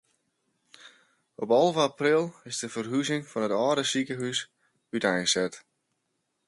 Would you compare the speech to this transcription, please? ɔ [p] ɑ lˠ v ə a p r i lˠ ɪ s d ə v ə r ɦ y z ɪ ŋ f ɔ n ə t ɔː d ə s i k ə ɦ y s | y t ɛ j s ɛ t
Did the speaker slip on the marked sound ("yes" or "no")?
no